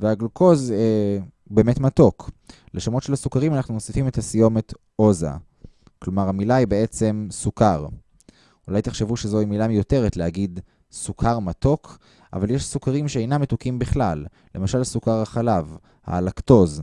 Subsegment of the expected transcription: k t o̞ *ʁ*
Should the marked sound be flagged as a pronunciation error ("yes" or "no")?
yes